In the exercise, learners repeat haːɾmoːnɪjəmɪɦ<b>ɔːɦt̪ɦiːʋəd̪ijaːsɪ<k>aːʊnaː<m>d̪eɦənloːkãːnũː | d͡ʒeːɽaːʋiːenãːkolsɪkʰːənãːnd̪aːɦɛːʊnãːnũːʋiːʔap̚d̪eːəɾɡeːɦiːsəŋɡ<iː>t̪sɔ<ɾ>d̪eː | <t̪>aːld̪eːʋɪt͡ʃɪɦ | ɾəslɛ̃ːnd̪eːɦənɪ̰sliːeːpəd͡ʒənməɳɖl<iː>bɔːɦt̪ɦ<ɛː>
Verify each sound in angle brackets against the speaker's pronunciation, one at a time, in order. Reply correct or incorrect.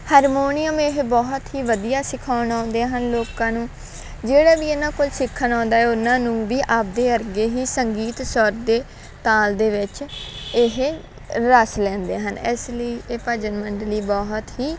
correct, incorrect, incorrect, correct, correct, correct, correct, incorrect

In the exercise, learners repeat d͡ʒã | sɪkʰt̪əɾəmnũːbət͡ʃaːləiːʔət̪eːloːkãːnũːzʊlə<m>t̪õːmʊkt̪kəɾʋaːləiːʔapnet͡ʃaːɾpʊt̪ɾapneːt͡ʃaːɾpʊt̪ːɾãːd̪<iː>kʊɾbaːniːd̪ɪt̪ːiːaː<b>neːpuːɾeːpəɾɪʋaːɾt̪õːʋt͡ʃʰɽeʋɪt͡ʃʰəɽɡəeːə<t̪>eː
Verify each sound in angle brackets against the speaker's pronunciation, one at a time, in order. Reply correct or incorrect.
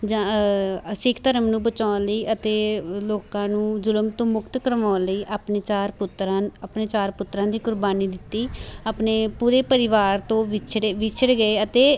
correct, correct, incorrect, correct

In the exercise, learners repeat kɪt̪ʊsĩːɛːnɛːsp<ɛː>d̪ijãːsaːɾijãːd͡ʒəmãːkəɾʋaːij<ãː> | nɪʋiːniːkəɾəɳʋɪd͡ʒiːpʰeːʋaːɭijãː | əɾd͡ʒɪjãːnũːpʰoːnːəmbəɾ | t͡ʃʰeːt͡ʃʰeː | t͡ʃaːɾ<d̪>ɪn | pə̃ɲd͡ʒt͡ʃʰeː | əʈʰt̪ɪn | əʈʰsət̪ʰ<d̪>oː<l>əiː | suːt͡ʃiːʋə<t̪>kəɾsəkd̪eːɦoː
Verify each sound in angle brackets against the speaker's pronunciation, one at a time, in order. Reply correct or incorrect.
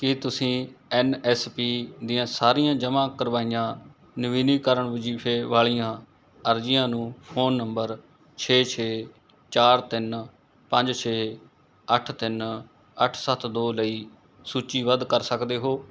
incorrect, correct, incorrect, correct, correct, incorrect

